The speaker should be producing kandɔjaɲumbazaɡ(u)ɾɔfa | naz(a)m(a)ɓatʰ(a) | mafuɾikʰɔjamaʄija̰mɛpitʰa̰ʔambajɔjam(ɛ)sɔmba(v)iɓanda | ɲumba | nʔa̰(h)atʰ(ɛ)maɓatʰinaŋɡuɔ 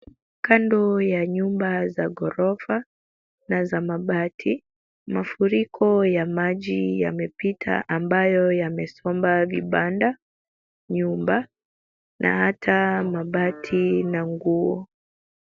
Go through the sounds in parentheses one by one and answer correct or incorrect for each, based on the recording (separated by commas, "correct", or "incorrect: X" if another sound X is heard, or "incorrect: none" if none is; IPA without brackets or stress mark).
incorrect: ɔ, correct, correct, incorrect: i, correct, correct, correct, incorrect: a